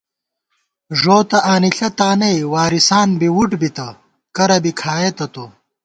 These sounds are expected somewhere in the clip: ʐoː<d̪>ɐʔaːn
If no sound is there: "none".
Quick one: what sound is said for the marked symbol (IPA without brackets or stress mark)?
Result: t̪